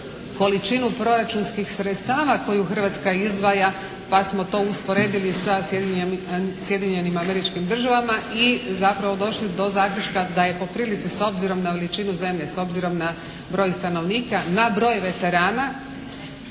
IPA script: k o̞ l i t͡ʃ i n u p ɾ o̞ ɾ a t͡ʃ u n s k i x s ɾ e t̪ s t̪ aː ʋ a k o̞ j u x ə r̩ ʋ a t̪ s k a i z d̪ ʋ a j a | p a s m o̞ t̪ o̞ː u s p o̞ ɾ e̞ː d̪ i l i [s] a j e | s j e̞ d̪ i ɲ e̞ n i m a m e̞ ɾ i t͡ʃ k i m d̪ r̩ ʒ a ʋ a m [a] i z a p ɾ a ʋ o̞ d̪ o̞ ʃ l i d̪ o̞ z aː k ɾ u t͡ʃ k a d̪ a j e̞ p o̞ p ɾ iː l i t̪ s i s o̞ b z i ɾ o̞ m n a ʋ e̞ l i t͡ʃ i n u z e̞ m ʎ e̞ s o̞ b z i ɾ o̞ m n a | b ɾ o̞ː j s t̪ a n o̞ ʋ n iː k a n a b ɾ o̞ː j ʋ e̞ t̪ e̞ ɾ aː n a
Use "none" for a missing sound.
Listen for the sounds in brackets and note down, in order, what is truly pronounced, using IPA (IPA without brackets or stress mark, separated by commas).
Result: s, a